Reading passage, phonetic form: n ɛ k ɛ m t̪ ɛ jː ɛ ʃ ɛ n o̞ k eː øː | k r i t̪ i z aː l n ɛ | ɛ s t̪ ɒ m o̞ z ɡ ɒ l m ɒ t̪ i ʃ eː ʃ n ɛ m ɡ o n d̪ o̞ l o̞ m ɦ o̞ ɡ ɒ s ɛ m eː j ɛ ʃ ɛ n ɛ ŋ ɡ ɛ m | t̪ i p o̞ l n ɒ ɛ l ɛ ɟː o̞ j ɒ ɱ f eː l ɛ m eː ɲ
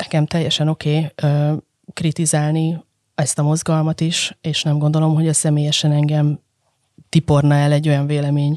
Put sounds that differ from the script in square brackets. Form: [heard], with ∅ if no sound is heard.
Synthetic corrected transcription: n ɛ k ɛ m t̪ ɛ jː ɛ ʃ ɛ n o̞ k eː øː | k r i t̪ i z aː l n [i] | ɛ s t̪ ɒ m o̞ z ɡ ɒ l m ɒ t̪ i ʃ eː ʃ n ɛ m ɡ o n d̪ o̞ l o̞ m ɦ o̞ [ɟ] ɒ s ɛ m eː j ɛ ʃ ɛ n ɛ ŋ ɡ ɛ m | t̪ i p o̞ [r] n ɒ ɛ l ɛ ɟː o̞ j ɒ ɱ [v] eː l ɛ m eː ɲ